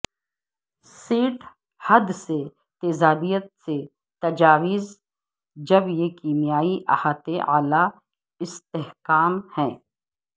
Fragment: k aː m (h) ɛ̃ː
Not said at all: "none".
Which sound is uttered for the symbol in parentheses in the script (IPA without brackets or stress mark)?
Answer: h